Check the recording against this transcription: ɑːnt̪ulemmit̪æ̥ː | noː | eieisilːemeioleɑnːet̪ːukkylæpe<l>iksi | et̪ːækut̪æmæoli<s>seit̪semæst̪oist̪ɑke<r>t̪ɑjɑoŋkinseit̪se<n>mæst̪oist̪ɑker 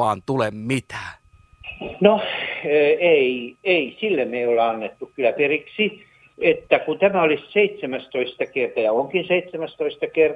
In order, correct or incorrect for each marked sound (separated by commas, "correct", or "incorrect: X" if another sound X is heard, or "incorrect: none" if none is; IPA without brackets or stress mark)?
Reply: incorrect: r, correct, correct, incorrect: none